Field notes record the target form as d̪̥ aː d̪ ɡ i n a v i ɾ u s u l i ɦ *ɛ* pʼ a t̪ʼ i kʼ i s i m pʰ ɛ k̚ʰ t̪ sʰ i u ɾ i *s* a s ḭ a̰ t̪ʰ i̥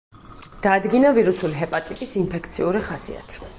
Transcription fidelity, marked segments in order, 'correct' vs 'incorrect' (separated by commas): correct, incorrect